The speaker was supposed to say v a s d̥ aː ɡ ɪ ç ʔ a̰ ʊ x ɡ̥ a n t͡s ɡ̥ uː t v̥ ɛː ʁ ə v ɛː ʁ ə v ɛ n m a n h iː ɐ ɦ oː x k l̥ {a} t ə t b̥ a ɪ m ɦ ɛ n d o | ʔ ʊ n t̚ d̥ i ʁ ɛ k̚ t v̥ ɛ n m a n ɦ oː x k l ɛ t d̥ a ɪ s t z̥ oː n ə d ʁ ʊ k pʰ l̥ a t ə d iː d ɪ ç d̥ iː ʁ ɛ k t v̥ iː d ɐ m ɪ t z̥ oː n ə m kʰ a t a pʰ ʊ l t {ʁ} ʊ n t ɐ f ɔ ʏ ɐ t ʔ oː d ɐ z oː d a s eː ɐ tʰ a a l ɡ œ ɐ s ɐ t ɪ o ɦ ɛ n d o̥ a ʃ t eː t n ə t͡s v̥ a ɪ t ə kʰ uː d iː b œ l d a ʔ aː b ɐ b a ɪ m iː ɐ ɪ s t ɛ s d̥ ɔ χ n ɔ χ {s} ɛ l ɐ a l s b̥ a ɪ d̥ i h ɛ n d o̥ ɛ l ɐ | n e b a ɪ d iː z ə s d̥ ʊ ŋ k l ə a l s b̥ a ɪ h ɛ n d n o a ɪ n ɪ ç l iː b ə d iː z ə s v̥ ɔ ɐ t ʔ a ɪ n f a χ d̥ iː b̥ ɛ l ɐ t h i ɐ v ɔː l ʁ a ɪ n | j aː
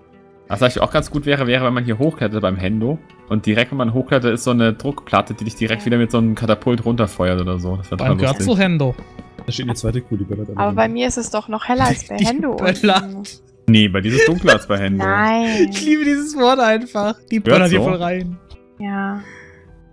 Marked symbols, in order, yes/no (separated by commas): no, yes, no